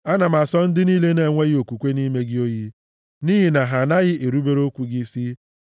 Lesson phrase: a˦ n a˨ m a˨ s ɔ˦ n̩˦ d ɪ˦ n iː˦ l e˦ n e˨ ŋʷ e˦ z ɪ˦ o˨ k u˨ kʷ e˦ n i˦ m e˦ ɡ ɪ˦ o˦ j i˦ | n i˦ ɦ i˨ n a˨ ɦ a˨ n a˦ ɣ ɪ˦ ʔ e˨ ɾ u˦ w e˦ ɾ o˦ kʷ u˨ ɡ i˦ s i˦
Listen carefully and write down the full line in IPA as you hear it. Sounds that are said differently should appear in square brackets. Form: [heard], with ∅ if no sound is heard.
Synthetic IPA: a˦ n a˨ m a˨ s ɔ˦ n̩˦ d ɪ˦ n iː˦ l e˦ n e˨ ŋʷ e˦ [ɣ] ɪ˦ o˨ k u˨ kʷ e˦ n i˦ m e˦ ɡ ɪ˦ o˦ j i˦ | n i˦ ɦ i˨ n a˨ ɦ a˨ n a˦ ɣ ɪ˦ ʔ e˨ ɾ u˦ [b] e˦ ɾ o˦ kʷ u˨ ɡ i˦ s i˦